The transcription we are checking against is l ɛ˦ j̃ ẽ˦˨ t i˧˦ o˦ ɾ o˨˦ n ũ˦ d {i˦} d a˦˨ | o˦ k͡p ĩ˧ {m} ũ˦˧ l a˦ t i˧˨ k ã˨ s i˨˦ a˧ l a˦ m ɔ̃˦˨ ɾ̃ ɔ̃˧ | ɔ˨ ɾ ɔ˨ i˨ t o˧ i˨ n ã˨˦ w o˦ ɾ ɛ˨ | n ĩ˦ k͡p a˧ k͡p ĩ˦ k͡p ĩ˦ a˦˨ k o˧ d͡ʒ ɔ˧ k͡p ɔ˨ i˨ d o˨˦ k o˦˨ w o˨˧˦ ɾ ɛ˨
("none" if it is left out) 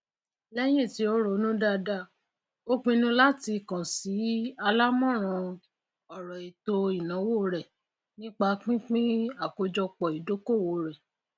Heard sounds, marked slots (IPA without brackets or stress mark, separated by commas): a˦, n